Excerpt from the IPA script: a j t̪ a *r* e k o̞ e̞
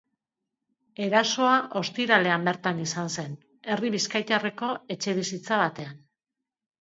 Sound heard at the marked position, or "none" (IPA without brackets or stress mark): r